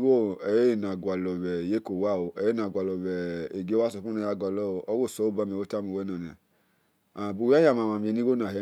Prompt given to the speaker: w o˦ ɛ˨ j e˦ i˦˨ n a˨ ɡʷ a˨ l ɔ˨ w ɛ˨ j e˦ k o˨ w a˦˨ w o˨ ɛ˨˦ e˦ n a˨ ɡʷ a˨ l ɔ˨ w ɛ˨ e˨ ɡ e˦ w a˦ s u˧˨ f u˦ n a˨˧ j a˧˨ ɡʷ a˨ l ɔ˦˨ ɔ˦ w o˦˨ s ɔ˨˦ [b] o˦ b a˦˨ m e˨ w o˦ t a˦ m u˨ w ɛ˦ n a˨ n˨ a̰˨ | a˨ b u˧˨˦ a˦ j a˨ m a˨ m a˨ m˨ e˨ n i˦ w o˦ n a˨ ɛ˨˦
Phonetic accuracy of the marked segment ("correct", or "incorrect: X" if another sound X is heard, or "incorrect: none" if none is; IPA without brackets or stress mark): incorrect: none